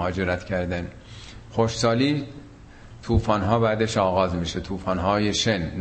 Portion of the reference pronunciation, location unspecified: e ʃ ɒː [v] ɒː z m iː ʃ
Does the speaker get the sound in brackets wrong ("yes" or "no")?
yes